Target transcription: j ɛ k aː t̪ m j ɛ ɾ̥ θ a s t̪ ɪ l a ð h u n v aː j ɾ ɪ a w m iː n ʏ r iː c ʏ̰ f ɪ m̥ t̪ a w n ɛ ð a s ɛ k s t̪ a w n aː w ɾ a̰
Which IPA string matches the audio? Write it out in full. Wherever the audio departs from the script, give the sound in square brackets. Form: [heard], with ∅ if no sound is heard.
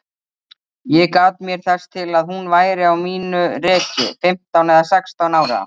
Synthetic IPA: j ɛ k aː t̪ m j ɛ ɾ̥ θ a s [t̪ʰ] ɪ l a ð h u n v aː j ɾ ɪ a w m iː n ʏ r [ɛː] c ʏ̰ f ɪ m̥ t̪ a w n ɛ ð a s ɛ k s t̪ a w n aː w ɾ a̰